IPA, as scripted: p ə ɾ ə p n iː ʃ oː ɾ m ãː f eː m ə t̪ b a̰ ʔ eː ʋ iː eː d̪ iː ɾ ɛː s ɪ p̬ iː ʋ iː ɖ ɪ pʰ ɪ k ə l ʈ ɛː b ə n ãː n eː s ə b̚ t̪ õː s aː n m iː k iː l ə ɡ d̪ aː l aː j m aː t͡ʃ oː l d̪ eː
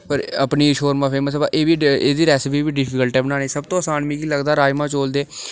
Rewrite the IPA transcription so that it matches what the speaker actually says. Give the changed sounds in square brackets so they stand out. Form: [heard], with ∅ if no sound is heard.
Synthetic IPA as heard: p ə ɾ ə p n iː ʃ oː ɾ m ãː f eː m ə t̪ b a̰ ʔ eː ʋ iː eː d̪ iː ɾ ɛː s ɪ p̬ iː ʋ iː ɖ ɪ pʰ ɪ k ə l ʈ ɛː b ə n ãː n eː s ə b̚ t̪ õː s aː n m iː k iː l ə ɡ d̪ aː [ɾ] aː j m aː t͡ʃ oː l d̪ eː